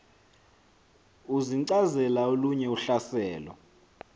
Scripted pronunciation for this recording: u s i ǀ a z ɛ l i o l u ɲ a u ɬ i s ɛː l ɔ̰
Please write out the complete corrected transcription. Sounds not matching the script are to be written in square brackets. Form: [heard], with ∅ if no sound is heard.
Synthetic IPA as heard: u [z] i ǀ a z ɛ l [a] o l u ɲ [ɛ] u ɬ [a] s ɛː l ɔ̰